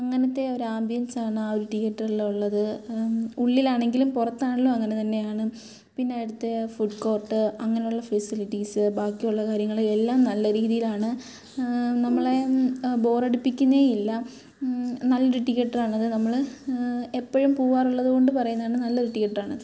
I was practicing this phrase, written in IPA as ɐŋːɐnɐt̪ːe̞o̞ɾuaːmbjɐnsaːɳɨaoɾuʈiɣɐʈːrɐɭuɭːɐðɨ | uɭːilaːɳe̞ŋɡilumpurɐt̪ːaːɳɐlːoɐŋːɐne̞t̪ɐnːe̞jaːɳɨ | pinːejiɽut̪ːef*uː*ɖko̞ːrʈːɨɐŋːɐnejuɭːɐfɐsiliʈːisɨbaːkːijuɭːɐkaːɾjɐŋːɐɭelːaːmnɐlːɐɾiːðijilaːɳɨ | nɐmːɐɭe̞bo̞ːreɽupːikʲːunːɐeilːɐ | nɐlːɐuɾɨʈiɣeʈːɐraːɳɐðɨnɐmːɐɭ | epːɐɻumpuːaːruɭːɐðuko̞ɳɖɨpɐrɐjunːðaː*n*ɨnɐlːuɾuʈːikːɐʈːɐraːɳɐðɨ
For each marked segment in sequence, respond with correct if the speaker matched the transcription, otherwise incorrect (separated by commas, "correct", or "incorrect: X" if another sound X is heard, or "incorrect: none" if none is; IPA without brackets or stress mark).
incorrect: u, incorrect: ɳ